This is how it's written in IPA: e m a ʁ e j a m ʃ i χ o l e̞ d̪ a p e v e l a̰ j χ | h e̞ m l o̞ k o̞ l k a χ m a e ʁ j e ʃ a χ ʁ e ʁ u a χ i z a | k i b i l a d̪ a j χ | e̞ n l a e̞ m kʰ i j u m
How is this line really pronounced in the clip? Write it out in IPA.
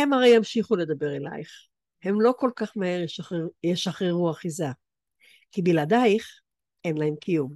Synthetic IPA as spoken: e m a ʁ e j a m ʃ i χ u l e̞ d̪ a b e ʁ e l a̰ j χ | h e̞ m l o̞ k o̞ l k a χ m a e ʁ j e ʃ a χ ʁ e ʁ u a χ i z a | k i b i l a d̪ a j χ | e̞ n l a e̞ m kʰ i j u m